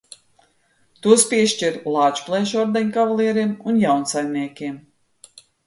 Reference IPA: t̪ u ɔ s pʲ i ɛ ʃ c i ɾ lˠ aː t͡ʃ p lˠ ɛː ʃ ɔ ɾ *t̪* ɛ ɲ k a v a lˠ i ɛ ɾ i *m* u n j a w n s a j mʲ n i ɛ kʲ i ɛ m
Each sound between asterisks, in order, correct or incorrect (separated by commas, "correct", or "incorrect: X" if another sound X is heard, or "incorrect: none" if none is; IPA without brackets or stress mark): incorrect: d̪, correct